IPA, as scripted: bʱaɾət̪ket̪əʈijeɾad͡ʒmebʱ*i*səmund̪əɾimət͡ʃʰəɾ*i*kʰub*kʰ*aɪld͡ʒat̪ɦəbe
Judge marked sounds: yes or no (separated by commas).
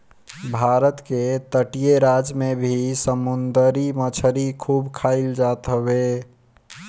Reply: yes, yes, yes